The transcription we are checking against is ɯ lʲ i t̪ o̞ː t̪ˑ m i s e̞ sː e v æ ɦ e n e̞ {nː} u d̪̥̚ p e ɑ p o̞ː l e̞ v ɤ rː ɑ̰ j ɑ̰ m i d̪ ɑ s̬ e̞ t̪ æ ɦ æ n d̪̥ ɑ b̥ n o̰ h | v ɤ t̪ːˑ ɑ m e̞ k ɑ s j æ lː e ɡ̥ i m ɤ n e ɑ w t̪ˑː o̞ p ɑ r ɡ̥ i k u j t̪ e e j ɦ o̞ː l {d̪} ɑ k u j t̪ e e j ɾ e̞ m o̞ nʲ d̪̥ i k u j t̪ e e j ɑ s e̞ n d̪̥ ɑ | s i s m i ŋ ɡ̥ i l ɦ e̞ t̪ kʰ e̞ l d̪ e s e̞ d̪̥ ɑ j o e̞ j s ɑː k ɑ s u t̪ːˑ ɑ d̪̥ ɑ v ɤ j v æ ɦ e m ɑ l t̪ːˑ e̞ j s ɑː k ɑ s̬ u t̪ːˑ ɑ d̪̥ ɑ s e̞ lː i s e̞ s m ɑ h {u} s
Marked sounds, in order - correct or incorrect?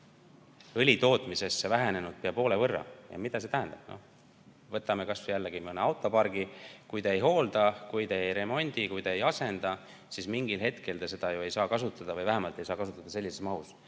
incorrect: n, correct, correct

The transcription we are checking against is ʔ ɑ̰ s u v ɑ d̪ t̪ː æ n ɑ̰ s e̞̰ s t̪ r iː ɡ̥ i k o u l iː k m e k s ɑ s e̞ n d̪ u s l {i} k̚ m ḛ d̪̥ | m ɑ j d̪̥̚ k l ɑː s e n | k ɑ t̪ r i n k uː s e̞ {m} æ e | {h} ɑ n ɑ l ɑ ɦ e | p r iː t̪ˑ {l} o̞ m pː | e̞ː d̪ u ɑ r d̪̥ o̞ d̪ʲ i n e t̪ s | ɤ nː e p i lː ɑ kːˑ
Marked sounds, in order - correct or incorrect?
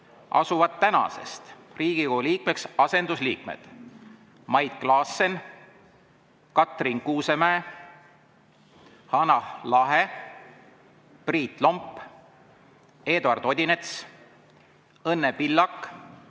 incorrect: iː, correct, correct, correct

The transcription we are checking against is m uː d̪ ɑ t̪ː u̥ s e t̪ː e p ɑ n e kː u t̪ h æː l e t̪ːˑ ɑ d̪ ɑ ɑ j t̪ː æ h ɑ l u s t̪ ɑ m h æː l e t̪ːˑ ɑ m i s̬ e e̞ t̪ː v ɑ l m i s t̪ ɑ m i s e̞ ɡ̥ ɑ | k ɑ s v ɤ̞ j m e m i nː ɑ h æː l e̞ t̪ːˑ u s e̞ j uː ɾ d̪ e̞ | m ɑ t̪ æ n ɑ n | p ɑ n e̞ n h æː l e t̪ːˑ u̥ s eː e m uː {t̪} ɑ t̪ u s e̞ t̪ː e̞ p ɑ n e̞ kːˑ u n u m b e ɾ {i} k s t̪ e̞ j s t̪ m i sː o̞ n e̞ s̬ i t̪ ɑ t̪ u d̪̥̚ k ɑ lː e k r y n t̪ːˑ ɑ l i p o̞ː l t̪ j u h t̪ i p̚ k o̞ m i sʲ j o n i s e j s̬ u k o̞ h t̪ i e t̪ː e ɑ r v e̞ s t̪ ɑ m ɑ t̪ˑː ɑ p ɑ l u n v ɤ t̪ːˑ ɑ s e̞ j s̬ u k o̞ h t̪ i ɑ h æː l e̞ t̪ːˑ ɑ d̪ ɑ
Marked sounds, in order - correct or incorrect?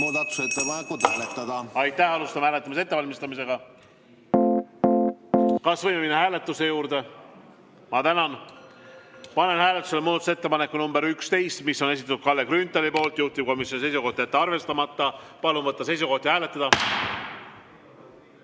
incorrect: d̪, incorrect: y

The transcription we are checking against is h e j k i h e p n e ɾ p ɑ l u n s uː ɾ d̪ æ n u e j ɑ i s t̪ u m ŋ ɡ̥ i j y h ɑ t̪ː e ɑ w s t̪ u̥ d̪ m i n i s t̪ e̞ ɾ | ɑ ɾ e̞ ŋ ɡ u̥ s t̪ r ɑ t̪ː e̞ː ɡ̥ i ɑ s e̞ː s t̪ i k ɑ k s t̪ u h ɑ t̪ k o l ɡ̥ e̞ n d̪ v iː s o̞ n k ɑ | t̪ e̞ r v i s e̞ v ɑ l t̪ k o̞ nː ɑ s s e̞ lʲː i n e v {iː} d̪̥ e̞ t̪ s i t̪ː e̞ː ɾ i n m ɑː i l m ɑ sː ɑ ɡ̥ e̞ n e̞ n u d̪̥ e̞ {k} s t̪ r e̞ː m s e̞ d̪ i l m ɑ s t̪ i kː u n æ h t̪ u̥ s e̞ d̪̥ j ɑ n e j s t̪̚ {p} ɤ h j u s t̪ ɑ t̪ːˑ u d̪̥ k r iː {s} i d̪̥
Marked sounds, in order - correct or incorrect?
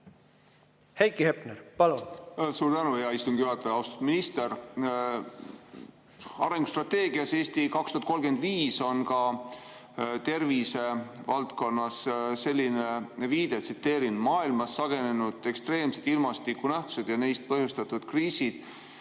correct, correct, correct, correct

